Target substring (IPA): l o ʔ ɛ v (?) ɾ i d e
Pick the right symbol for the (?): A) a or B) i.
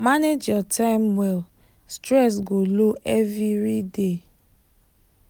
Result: B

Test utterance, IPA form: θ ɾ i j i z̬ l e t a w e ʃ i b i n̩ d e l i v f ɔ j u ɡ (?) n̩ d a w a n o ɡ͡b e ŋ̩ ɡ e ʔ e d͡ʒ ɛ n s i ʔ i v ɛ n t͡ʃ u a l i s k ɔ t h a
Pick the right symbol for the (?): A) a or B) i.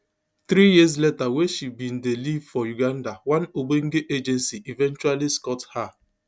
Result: A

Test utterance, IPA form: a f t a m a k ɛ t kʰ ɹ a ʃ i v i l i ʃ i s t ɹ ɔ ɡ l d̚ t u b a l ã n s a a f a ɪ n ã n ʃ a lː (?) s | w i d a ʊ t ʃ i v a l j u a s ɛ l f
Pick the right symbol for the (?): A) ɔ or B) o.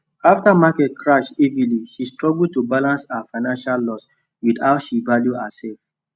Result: A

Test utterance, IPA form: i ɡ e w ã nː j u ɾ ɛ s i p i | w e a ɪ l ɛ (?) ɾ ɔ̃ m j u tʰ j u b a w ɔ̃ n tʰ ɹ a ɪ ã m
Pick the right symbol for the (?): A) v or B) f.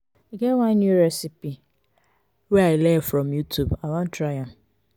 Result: B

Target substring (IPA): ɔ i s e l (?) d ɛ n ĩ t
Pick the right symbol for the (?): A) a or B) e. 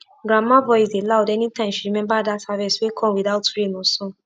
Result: A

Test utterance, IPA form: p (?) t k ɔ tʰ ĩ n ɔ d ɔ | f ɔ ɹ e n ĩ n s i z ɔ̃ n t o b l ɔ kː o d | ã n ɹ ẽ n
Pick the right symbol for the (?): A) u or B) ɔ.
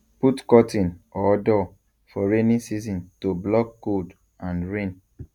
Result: A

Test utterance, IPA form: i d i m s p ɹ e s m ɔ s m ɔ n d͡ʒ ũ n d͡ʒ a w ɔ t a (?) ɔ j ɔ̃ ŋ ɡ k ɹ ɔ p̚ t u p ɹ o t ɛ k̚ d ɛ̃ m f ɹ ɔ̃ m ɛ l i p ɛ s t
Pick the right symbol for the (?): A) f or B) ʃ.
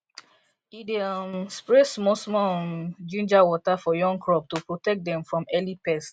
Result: A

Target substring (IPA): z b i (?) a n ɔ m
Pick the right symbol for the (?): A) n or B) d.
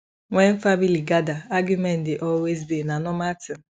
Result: A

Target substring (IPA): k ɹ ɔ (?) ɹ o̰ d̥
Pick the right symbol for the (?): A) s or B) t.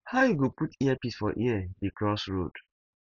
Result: A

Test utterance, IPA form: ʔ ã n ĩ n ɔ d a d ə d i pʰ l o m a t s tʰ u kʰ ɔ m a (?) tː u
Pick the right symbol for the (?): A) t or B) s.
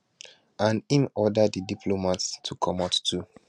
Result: A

